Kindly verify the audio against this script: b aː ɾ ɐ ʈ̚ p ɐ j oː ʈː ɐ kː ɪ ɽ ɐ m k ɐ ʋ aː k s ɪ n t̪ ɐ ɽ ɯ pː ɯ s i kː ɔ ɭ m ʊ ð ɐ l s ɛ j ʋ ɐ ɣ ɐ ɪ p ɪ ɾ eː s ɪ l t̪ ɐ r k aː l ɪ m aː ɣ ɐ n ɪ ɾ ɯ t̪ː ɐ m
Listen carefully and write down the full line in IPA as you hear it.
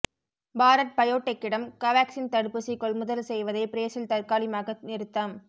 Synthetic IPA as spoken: b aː ɾ ɐ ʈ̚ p ɐ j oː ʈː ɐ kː ɪ ɽ ɐ m k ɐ ʋ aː k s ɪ n t̪ ɐ ɽ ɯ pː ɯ s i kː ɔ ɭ m ʊ ð ɐ l s ɛ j ʋ ɐ ð ɐ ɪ p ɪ ɾ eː s ɪ l t̪ ɐ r k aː l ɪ m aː ɣ ɐ n ɪ ɾ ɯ t̪ː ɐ m

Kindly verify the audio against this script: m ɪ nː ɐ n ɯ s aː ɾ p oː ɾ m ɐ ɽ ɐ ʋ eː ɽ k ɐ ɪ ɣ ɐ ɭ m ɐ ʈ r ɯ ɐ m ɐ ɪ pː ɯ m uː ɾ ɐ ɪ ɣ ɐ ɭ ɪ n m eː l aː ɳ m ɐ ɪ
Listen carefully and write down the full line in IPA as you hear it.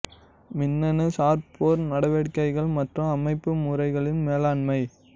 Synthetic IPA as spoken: m ɪ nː ɐ n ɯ s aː ɾ p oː ɾ n ɐ ɽ ɐ ʋ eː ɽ k ɐ ɪ ɣ ɐ ɭ m ɐ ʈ r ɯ ɐ m ɐ ɪ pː ɯ m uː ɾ ɐ ɪ ɣ ɐ ɭ ɪ n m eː l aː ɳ m ɐ ɪ

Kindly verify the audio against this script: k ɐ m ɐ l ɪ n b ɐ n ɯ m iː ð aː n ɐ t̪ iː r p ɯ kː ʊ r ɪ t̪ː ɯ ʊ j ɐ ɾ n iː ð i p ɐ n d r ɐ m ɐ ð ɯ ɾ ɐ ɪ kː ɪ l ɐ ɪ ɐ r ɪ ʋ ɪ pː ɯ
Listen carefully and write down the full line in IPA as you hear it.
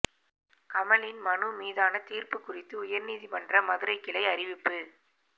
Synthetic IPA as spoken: k ɐ m ɐ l ɪ n m ɐ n ɯ m iː ð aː n ɐ t̪ iː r p ɯ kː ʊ r ɪ t̪ː ɯ ʊ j ɐ ɾ n iː ð i p ɐ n d r ɐ m ɐ ð ɯ ɾ ɐ ɪ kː ɪ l ɐ ɪ ɐ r ɪ ʋ ɪ pː ɯ

